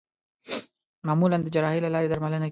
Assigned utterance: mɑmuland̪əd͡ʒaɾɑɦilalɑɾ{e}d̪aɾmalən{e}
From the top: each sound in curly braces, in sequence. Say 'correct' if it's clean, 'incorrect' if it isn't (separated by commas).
correct, incorrect